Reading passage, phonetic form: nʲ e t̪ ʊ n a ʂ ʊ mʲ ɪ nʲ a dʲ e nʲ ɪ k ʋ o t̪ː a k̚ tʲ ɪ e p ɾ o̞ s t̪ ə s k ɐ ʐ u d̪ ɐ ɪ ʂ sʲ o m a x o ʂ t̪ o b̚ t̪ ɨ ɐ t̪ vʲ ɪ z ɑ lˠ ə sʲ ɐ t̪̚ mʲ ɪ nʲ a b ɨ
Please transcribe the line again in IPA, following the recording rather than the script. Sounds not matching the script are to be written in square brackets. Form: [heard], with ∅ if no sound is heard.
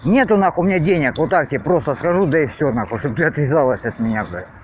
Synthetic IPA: nʲ e t̪ ʊ n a [x] ʊ mʲ ɪ nʲ a dʲ e nʲ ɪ k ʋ o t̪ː a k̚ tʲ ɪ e p ɾ o̞ s t̪ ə s k ɐ ʐ u d̪ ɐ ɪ [f] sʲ o [n] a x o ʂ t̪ o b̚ t̪ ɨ ɐ t̪ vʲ ɪ z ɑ lˠ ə sʲ ɐ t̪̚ mʲ ɪ nʲ a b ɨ